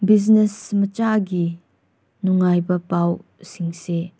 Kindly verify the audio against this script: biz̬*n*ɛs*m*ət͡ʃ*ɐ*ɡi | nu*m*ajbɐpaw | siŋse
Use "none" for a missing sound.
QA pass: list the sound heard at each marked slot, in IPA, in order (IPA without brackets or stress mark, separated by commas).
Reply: n, m, a, ŋ